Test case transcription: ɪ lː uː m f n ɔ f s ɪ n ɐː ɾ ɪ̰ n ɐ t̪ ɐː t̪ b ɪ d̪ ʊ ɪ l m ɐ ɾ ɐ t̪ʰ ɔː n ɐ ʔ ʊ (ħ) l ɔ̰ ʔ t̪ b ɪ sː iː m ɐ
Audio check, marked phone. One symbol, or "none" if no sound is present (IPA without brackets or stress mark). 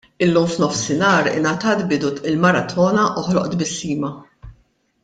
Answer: ħ